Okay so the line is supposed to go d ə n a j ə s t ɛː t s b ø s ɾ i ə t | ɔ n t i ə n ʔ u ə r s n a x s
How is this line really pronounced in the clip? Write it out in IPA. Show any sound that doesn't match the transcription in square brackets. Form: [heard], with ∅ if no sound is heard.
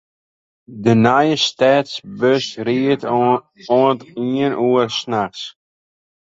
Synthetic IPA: d ə n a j ə s t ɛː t s b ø s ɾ i ə t | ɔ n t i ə n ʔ u ə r s n a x s